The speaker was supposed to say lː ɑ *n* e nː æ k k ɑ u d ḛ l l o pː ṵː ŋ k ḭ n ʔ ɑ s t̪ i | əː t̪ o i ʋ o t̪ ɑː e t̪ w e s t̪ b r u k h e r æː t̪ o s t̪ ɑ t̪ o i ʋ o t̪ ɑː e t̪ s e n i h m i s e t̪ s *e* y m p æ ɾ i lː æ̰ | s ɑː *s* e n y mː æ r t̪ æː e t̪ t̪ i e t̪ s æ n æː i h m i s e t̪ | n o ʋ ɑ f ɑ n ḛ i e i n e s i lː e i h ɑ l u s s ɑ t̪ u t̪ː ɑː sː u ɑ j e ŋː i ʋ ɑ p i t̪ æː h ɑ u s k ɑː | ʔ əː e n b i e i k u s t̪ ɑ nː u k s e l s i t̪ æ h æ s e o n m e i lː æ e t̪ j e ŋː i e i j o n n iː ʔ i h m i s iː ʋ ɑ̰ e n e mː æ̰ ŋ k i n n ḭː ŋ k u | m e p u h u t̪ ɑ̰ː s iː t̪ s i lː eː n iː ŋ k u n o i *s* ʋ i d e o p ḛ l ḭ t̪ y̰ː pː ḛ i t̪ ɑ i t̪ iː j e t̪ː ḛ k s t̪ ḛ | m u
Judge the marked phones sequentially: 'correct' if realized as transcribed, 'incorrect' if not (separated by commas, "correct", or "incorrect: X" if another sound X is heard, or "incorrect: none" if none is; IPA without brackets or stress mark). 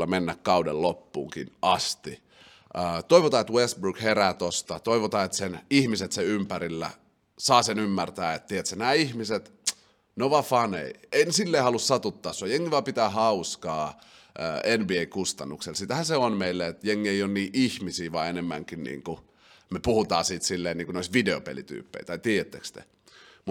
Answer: incorrect: m, correct, correct, correct